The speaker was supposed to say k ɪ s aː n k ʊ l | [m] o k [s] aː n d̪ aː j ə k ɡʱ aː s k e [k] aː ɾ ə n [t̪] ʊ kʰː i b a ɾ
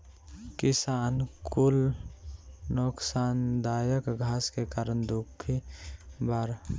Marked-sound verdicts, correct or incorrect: incorrect, correct, correct, incorrect

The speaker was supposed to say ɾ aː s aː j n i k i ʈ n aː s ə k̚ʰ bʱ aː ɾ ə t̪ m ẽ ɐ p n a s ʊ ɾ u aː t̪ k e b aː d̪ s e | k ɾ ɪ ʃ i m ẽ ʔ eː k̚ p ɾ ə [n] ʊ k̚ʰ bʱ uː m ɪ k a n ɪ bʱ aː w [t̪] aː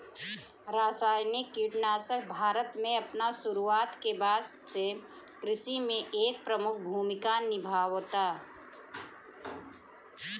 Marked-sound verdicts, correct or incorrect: incorrect, correct

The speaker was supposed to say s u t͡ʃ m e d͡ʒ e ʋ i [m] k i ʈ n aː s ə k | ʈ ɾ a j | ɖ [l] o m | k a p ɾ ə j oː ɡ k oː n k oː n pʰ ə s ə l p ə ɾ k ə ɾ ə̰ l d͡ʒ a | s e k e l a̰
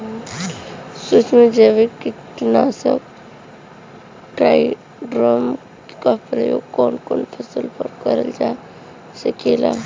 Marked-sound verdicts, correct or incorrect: incorrect, incorrect

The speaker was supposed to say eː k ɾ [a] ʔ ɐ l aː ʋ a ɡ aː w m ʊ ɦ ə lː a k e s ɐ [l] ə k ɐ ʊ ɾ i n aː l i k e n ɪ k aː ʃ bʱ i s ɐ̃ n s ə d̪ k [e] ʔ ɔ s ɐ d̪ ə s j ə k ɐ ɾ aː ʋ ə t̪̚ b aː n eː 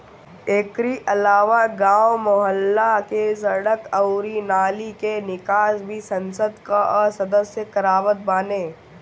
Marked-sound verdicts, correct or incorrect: incorrect, incorrect, incorrect

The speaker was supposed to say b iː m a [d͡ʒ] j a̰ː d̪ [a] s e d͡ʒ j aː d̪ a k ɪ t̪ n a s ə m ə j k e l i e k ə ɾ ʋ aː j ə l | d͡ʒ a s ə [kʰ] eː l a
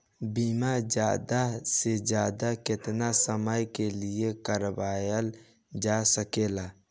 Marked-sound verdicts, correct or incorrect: correct, correct, incorrect

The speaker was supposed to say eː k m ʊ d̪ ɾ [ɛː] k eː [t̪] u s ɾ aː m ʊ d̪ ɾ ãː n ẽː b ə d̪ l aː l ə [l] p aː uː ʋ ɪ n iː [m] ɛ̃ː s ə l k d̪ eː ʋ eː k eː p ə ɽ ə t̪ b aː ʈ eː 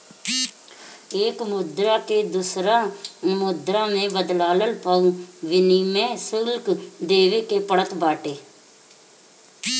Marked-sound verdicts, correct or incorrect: incorrect, incorrect, correct, correct

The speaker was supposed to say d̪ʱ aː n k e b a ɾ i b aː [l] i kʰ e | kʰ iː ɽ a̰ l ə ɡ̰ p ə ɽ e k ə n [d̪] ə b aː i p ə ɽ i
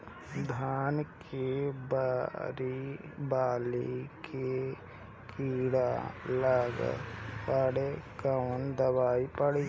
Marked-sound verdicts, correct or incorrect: correct, correct

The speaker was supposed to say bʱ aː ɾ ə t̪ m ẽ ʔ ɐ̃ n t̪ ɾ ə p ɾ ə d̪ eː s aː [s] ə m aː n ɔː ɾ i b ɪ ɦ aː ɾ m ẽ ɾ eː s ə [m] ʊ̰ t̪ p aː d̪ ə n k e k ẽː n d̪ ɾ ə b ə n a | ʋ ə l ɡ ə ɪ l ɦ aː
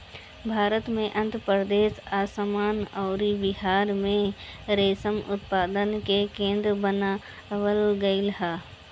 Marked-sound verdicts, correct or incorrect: correct, correct

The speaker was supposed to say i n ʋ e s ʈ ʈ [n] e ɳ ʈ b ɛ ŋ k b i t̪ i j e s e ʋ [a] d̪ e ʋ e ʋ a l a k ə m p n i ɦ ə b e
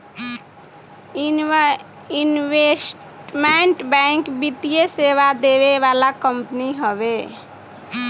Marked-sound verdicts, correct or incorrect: incorrect, correct

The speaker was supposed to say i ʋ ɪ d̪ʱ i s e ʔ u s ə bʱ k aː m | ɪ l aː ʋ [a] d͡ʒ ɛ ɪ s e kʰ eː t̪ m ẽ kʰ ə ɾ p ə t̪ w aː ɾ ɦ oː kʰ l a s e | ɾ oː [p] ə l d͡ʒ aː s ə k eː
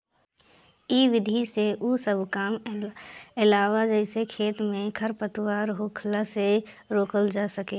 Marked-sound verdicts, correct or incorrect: correct, incorrect

